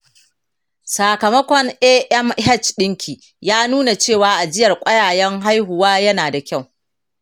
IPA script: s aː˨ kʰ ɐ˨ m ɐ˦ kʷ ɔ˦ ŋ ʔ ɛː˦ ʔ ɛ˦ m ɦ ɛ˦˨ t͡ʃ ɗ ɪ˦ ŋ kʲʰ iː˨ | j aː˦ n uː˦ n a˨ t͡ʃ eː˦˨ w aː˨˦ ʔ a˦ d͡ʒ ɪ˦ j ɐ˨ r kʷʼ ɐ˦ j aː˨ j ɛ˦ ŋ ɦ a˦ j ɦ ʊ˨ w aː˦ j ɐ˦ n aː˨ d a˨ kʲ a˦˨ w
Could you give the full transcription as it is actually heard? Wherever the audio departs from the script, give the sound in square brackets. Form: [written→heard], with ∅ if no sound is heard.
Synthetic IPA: s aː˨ [kʰ→k] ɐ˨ m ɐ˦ kʷ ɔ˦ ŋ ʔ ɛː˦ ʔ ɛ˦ m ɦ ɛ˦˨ t͡ʃ ɗ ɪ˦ ŋ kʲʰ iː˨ | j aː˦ n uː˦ n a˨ t͡ʃ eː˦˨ w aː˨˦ ʔ [a˦→a˨] d͡ʒ ɪ˦ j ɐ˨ r kʷʼ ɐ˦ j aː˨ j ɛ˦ ŋ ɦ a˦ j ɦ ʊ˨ w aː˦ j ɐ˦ n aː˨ d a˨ kʲ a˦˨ w